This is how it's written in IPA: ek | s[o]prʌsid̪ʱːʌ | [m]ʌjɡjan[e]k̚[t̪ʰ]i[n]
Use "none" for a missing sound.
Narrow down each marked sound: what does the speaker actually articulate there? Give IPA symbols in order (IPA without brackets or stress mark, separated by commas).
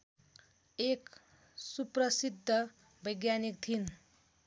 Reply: u, b, i, t̪ʰ, n